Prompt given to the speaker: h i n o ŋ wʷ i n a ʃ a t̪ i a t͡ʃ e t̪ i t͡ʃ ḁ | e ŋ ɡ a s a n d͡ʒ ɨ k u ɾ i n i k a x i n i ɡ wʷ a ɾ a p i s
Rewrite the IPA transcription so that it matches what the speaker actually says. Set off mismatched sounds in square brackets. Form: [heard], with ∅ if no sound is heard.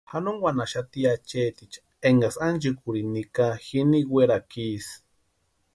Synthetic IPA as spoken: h [a] n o ŋ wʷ [a] n a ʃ a t̪ i a t͡ʃ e t̪ i t͡ʃ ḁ | e ŋ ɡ a s a n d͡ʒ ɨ k u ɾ i n i k a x i n i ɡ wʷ [e] ɾ a [k] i s